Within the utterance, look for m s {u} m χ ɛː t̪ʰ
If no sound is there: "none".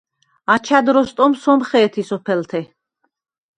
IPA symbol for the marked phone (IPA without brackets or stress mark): ɔ